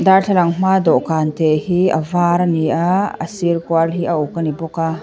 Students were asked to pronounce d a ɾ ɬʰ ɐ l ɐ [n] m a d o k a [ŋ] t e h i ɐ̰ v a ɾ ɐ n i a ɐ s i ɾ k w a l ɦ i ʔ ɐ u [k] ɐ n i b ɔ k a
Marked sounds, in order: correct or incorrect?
incorrect: ŋ, incorrect: n, correct

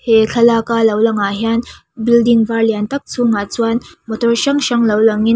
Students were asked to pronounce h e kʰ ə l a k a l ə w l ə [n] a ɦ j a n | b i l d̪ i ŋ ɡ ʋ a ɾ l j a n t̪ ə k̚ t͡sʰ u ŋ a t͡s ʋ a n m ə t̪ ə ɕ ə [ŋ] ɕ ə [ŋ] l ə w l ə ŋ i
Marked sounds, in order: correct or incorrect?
incorrect: ŋ, correct, correct

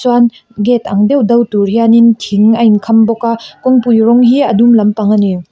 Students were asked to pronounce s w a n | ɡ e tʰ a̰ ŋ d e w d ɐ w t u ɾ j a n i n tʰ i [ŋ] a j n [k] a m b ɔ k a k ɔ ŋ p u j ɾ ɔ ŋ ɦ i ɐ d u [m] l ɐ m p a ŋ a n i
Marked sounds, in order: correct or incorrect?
correct, incorrect: kʰ, correct

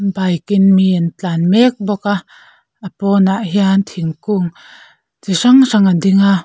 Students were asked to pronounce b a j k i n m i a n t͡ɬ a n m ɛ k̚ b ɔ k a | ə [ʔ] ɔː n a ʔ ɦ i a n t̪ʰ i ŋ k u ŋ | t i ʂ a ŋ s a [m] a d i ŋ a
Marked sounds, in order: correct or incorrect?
incorrect: p, incorrect: ŋ

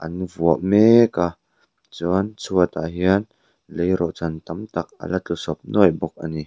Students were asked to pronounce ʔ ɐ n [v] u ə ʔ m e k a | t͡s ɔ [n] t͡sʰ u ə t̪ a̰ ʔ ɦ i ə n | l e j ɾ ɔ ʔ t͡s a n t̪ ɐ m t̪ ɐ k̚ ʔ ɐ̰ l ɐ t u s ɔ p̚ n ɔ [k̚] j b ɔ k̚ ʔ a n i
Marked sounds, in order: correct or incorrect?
correct, correct, incorrect: none

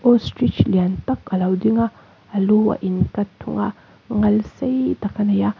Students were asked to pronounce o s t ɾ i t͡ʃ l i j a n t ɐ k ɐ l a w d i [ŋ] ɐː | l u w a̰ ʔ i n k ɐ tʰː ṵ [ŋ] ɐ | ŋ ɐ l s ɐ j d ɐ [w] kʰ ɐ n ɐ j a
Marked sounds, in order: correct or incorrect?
correct, correct, incorrect: none

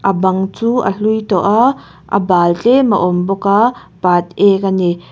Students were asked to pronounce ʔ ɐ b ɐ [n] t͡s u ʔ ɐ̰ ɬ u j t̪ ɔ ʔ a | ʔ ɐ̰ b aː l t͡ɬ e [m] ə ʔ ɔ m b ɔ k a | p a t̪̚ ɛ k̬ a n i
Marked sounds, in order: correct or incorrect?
incorrect: ŋ, correct

